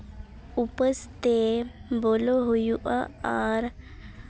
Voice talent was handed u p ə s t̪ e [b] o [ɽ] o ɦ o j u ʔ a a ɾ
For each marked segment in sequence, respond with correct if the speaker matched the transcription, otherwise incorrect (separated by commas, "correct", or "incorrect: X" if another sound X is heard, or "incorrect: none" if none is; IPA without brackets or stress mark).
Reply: correct, incorrect: l